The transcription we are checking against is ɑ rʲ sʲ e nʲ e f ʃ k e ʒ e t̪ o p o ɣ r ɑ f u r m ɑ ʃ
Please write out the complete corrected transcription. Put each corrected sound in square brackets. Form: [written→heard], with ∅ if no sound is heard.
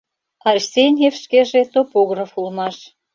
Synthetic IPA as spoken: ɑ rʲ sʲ e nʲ e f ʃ k e ʒ e t̪ o p o ɣ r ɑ f u [r→l] m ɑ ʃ

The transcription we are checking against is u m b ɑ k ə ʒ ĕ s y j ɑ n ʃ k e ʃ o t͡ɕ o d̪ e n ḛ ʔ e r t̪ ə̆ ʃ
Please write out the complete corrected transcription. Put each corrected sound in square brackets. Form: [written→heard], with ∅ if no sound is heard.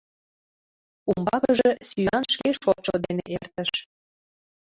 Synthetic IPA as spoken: u m b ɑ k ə ʒ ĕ s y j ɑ n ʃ k e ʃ o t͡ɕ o d̪ e n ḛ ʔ e r t̪ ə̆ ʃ

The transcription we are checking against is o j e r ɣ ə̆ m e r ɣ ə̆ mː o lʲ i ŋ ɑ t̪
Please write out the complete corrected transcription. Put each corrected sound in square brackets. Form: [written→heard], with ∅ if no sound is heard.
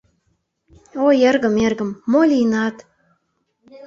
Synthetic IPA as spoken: o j e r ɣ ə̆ m e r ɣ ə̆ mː o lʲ i [ŋ→n] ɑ t̪

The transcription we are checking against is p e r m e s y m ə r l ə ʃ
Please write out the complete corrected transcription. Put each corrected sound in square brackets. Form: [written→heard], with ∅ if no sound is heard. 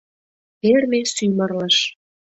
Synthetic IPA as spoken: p e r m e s y m ə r l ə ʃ

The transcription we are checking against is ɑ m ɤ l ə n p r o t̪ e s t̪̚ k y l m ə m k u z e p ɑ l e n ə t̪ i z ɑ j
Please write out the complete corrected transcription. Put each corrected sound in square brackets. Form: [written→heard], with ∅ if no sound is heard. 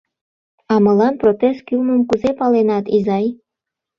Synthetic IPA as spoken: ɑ m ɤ l [ə→ɑ] n p r o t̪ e s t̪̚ k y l m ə m k u z e p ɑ l e n [ə→ɑ] t̪ i z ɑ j

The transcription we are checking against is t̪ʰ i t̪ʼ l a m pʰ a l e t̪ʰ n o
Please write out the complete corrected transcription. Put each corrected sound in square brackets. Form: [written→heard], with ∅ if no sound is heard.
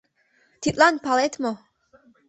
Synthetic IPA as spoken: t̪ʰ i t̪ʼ l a [m→n] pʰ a l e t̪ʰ [n→m] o

